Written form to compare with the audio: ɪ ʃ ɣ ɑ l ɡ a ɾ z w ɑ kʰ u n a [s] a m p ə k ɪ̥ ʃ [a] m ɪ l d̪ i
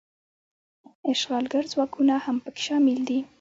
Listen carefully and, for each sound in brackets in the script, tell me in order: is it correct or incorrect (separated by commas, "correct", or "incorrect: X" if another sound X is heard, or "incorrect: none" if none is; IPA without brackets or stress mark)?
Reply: incorrect: h, incorrect: ɑ